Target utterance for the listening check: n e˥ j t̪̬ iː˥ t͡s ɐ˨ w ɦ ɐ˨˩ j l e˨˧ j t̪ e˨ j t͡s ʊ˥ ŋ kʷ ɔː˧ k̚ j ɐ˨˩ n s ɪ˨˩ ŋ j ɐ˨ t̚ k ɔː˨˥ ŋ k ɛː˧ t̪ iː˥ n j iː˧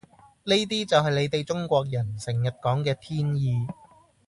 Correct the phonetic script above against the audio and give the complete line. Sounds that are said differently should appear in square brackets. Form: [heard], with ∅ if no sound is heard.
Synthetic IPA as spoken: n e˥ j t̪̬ iː˥ t͡s ɐ˨ w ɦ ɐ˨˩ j l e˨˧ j t̪ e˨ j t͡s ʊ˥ ŋ kʷ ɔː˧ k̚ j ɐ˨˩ n s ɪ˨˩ ŋ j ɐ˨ t̚ k ɔː˨˥ ŋ k ɛː˧ [t̪ʰ] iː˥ n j iː˧